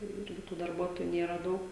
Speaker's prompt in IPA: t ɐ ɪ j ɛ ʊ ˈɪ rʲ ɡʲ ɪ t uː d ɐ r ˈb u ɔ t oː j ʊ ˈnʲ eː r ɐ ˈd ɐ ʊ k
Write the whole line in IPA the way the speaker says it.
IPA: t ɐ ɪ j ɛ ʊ ˈɪ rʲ ɡʲ ɪ t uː d ɐ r ˈb u ɔ t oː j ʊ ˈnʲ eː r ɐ ˈd ɐ ʊ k